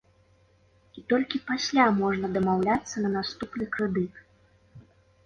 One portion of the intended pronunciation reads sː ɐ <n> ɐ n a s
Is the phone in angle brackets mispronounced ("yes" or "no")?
no